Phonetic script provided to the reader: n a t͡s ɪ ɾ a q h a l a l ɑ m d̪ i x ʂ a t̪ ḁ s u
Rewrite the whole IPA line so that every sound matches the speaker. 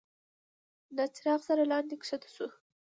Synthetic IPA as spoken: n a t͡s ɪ ɾ ɑ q s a ɾ a l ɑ n d̪ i k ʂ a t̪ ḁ s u

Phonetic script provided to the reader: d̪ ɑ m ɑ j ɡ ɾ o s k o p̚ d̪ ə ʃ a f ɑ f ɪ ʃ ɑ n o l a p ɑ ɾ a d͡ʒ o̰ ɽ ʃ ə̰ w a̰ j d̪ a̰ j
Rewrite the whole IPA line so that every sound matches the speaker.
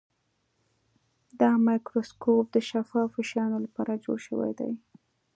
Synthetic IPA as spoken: d̪ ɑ m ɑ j k ɾ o s k o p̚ d̪ ə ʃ a f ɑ f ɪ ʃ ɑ n o l a p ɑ ɾ a d͡ʒ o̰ ɽ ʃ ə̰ w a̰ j d̪ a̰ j

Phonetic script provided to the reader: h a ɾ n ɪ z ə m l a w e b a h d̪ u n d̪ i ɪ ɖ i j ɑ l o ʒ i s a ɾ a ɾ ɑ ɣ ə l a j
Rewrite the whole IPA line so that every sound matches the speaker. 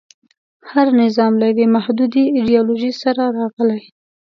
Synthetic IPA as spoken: h a ɾ n ɪ z ɑ m l a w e m a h d̪ u d̪ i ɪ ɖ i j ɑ l o ʒ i s a ɾ a ɾ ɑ ɣ ə l a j

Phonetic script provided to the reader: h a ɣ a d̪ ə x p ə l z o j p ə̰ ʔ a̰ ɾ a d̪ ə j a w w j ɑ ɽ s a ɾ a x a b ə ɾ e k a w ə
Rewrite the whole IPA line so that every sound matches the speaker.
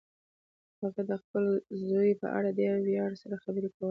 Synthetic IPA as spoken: h a ɣ a d̪ ə x p ə l z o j p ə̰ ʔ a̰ ɽ a d̪ ə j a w w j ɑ ɽ s a ɾ a x a b ə ɾ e k a w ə

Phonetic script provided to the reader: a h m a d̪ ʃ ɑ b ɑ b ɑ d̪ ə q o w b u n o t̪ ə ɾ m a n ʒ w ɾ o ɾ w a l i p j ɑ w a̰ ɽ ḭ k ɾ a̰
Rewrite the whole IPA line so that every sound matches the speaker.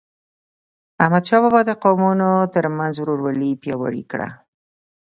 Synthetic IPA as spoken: a h m a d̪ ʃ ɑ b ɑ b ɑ d̪ ə q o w m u n o t̪ ə ɾ m a n z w ɾ o ɾ w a l i p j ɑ w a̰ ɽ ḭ k ɽ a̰

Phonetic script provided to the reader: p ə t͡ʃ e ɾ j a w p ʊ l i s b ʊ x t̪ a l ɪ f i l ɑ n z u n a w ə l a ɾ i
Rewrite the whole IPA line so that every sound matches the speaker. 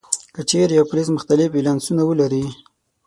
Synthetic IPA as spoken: k ə t͡ʃ e ɾ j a w p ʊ l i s m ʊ x t̪ a l ɪ f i l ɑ n s u n a w ə l a ɾ i

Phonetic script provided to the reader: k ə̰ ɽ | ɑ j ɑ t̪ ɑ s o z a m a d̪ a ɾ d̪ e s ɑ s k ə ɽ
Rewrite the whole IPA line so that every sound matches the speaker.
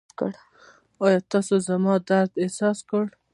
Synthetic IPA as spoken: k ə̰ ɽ | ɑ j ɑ t̪ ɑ s o z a m ɑ d̪ a ɾ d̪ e s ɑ s k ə ɽ

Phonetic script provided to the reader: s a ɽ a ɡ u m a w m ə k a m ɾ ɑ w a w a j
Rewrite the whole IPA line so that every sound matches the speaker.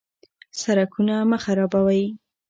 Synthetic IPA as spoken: s a ɾ a k u n a m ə x a ɾ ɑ b a w a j

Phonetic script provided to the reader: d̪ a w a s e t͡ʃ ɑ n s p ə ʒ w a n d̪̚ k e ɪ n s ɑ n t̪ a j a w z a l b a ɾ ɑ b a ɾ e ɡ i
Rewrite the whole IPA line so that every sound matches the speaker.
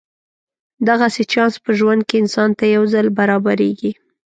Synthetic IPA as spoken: d̪ a ɣ a s e t͡ʃ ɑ n s p ə ʒ w a n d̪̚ k e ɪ n s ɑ n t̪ a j a w z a l b a ɾ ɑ b a ɾ e ɡ i

